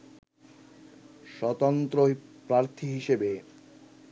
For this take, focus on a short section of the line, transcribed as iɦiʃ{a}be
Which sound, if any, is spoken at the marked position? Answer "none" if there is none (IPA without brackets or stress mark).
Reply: e